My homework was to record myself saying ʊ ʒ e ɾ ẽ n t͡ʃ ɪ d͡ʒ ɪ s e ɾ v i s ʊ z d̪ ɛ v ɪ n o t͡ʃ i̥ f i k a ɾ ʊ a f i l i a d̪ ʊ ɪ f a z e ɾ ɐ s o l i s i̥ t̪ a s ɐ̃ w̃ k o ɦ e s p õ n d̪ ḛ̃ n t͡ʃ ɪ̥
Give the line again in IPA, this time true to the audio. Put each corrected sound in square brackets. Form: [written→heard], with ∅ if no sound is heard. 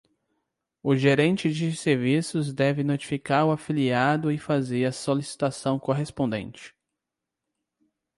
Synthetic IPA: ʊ ʒ e ɾ ẽ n t͡ʃ ɪ d͡ʒ ɪ s e ɾ v i s ʊ z d̪ ɛ v ɪ n o t͡ʃ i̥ f i k a ɾ ʊ a f i l i a d̪ ʊ ɪ f a z e ɾ ɐ s o l i s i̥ t̪ a s ɐ̃ w̃ k o ɦ e s p õ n d̪ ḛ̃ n t͡ʃ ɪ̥